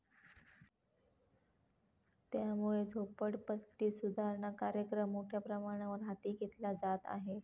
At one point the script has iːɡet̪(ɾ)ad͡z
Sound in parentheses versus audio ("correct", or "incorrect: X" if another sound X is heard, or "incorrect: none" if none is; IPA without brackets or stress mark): incorrect: l